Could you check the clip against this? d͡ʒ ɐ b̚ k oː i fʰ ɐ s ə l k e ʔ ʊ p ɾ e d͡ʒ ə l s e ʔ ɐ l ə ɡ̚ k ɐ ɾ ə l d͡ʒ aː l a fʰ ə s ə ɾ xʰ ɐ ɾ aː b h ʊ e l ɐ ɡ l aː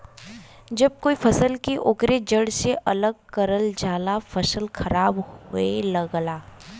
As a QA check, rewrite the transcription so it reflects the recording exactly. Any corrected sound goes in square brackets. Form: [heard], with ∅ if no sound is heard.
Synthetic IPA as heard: d͡ʒ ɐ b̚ k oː i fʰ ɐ s ə l k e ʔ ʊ [k] ɾ e d͡ʒ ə [ɽ] s e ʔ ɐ l ə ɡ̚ k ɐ ɾ ə l d͡ʒ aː l a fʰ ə s ə [l] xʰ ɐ ɾ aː b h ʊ e l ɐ ɡ l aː